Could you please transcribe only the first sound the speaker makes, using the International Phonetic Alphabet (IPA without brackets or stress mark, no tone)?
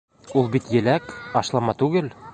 u